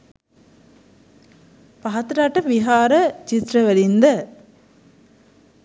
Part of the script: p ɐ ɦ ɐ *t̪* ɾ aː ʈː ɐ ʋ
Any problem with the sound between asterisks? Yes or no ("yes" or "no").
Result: no